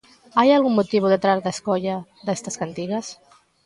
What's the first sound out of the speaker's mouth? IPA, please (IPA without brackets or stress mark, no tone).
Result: a